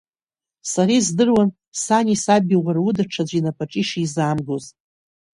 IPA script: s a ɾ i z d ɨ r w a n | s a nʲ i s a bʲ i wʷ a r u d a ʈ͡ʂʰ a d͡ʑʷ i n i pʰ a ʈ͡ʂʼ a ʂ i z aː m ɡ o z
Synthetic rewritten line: s a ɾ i z d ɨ r w a n | s a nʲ i s a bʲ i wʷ a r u d a ʈ͡ʂʰ a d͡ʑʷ i n a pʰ a ʈ͡ʂʼ i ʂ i z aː m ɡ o z